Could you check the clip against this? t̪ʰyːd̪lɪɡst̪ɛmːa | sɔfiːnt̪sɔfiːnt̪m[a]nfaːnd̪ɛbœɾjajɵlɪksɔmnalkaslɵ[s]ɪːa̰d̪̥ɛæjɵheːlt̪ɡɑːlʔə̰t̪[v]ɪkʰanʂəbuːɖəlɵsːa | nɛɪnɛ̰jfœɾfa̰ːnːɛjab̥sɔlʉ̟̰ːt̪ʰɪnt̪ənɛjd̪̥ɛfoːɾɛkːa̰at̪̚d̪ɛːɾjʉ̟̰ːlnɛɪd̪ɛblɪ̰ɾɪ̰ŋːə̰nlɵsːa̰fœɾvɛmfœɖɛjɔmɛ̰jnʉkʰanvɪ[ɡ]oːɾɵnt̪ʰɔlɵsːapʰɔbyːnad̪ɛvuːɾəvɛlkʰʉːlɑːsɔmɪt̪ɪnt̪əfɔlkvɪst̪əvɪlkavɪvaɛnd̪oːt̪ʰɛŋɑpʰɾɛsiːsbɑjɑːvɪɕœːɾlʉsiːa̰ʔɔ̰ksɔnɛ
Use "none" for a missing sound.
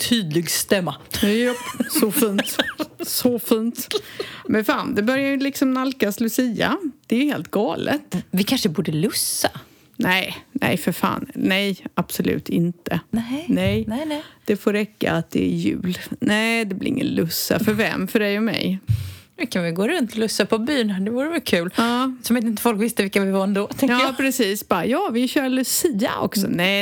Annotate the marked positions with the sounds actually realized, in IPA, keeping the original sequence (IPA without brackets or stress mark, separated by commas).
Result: ɛ, s, v, ɡ